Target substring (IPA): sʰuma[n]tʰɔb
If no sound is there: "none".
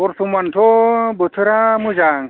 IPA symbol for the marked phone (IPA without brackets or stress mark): n